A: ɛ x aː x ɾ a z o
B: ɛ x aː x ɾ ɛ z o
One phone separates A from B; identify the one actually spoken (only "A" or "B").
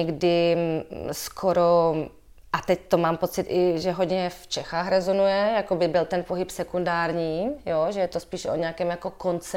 B